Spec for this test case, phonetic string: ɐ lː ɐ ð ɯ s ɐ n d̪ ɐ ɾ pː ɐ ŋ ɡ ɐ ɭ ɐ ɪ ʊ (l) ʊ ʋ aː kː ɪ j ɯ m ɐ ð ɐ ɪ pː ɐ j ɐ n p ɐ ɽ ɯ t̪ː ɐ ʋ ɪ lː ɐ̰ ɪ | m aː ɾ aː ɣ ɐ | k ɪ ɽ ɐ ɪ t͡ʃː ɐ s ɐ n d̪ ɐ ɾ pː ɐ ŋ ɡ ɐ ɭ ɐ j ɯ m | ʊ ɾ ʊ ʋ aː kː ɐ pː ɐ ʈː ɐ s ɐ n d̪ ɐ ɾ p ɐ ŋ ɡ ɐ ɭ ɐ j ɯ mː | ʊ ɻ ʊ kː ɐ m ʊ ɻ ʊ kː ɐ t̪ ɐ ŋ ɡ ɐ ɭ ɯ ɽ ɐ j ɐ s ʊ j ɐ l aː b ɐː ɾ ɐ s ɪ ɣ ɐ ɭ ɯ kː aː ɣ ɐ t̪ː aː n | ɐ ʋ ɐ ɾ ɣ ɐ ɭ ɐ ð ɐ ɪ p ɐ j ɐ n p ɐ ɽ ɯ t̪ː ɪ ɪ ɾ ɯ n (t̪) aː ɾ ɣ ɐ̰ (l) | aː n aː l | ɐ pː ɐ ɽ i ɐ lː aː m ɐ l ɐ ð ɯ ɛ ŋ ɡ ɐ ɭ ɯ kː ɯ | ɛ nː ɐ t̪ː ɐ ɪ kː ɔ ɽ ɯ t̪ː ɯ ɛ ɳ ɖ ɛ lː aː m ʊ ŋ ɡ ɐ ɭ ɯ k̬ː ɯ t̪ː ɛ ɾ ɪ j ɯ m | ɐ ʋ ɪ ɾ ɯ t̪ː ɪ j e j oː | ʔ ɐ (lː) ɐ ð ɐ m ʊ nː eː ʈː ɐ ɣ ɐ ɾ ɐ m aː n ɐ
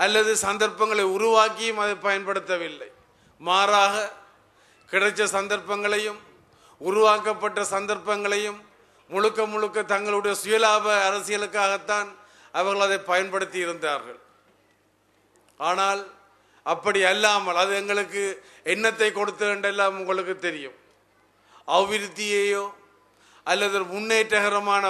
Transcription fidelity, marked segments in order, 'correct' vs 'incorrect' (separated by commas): incorrect, incorrect, incorrect, correct